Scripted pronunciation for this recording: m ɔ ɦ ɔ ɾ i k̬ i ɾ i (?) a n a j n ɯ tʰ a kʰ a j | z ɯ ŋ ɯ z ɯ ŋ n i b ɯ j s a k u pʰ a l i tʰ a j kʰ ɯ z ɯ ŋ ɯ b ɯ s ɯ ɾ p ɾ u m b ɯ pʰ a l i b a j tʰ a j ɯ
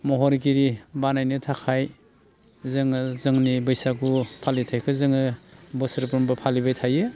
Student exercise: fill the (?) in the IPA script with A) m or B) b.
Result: B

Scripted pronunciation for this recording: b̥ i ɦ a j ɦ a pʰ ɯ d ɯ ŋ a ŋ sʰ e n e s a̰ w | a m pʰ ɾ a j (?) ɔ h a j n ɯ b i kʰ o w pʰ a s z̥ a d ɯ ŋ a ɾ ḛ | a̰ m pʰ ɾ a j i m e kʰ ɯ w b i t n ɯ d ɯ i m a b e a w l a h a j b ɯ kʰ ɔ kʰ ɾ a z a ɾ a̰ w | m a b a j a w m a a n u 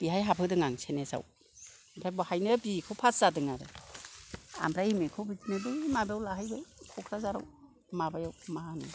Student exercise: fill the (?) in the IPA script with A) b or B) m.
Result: A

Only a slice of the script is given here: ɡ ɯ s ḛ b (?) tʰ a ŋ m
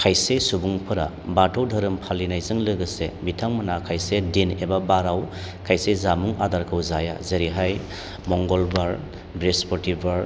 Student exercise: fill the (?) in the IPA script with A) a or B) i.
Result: B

